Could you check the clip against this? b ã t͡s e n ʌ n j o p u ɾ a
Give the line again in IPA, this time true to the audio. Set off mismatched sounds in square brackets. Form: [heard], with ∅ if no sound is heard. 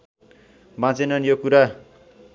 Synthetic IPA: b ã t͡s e n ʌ n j o [k] u ɾ a